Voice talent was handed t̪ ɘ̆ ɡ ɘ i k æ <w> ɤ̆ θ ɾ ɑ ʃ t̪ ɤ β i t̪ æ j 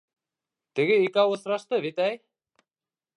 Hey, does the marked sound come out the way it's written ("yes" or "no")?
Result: yes